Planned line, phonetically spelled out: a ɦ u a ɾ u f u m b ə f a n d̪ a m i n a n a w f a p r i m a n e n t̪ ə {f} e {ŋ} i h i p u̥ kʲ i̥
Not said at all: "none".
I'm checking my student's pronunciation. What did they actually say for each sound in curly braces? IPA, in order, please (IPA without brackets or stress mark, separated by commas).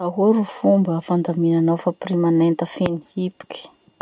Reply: f, n